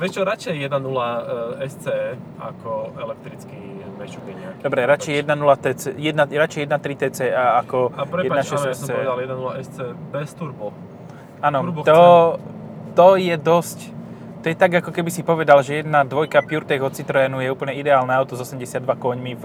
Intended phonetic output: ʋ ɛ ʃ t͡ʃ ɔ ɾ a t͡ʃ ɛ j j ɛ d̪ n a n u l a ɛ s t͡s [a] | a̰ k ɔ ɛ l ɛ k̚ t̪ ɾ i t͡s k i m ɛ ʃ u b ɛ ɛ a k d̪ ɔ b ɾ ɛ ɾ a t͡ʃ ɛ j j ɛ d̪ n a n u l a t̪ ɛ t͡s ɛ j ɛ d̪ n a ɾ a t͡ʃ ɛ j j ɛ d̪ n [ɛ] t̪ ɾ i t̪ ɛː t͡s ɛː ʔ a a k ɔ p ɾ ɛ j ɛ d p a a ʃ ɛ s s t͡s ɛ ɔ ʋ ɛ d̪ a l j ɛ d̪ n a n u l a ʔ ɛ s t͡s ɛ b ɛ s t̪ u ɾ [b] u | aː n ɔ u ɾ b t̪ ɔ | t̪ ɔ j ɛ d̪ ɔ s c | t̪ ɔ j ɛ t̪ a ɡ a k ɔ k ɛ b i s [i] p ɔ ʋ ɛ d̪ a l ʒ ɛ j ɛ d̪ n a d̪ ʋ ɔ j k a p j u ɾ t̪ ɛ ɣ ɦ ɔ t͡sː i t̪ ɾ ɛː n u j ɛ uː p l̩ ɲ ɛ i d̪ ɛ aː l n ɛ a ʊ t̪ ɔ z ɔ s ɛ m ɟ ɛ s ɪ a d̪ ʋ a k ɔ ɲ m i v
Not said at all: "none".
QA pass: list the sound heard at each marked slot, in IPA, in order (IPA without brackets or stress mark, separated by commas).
ɛ, a, b, i